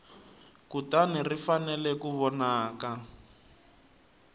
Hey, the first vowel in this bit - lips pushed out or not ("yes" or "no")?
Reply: yes